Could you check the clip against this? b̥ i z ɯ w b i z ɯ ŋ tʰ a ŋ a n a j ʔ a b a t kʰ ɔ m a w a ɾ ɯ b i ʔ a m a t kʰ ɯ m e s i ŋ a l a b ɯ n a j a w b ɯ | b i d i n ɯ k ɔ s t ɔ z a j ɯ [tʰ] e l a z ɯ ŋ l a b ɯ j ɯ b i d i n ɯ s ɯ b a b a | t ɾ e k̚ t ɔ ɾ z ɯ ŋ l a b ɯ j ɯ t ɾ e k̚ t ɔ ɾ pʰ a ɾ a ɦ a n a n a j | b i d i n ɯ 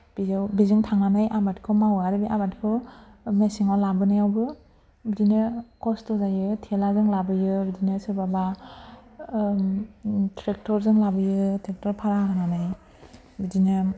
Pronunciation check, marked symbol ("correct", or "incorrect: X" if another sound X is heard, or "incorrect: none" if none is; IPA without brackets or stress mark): correct